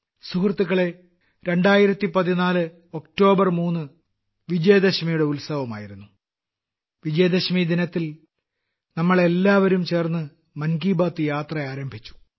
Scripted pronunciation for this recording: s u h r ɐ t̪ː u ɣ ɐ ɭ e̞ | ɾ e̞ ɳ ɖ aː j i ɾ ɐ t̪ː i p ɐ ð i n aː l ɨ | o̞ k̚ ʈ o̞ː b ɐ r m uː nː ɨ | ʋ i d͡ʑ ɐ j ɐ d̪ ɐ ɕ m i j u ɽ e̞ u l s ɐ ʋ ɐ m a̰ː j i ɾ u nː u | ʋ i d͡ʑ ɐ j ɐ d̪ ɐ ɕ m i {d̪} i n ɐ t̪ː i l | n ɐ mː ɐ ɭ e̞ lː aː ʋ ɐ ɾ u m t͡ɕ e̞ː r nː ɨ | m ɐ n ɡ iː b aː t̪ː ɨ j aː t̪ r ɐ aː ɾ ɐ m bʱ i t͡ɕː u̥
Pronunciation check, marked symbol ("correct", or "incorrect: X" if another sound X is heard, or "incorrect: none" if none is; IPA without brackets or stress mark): correct